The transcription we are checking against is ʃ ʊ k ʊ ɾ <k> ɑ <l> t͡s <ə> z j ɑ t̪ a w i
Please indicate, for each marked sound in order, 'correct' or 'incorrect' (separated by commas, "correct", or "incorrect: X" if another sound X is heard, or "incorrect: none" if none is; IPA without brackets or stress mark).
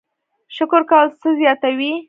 correct, correct, correct